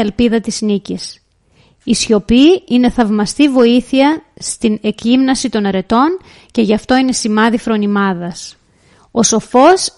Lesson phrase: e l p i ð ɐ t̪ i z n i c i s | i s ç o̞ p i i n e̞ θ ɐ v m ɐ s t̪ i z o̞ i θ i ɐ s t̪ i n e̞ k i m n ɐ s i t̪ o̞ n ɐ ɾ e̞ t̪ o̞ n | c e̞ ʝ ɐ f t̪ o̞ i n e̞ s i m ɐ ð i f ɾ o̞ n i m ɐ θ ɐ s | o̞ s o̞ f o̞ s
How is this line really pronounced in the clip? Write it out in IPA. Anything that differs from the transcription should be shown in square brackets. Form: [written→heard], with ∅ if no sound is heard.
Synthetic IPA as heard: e l p i ð ɐ t̪ i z n i c i s | i s ç o̞ p i i n e̞ θ ɐ v m ɐ s t̪ i [z→v] o̞ i θ i ɐ s t̪ i n e̞ k i m n ɐ s i t̪ o̞ n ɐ ɾ e̞ t̪ o̞ n | c e̞ ʝ ɐ f t̪ o̞ i n e̞ s i m ɐ ð i f ɾ o̞ n i m ɐ [θ→ð] ɐ s | o̞ s o̞ f o̞ s